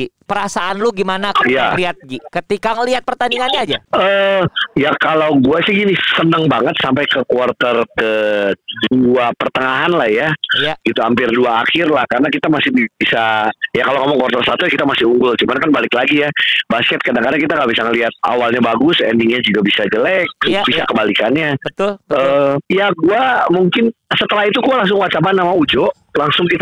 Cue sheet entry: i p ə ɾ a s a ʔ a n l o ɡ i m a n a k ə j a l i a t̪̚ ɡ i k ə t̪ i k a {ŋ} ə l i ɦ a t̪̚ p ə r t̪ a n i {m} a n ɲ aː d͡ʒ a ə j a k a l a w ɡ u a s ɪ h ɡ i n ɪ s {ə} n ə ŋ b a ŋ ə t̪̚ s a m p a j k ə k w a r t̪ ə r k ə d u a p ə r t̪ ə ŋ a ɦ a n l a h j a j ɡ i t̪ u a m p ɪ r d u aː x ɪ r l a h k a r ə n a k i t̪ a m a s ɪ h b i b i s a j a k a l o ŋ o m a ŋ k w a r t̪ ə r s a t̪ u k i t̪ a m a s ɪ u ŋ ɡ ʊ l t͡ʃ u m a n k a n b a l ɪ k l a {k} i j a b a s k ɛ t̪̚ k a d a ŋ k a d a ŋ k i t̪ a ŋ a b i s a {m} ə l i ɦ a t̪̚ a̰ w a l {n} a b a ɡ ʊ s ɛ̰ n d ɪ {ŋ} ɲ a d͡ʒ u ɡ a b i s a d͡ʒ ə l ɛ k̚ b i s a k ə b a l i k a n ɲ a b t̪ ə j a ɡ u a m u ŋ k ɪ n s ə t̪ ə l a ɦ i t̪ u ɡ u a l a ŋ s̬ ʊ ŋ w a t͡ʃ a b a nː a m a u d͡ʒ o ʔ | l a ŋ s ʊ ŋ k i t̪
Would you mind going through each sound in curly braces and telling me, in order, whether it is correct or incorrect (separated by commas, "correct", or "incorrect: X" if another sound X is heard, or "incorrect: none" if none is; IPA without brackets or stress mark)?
correct, incorrect: ŋ, correct, incorrect: ɡ, incorrect: ŋ, incorrect: ɲ, correct